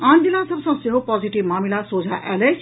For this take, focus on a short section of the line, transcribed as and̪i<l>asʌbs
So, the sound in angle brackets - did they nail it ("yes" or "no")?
yes